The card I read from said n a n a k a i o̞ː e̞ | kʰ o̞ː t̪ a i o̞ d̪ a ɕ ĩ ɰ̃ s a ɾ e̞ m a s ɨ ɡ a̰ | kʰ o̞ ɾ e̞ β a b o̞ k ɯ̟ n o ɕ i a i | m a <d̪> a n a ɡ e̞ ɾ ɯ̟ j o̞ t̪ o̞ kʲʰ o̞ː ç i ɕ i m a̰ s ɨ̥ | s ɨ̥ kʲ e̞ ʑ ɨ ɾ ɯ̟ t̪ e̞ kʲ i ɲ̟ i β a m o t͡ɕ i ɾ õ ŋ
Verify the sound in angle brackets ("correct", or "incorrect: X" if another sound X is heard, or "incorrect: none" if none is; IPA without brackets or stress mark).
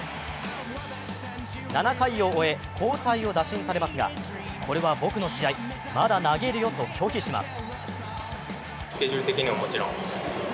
correct